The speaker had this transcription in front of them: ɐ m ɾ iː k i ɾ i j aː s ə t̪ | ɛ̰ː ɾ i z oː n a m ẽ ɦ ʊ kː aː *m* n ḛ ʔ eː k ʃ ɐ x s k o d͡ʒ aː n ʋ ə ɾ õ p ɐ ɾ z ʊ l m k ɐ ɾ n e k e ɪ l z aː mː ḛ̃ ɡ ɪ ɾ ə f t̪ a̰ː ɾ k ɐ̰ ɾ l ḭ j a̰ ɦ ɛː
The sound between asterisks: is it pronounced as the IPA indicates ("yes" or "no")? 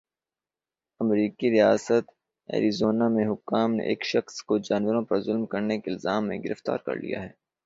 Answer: yes